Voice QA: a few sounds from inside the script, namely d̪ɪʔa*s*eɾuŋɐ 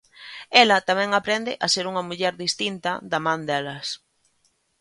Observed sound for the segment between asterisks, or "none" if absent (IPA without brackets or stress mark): s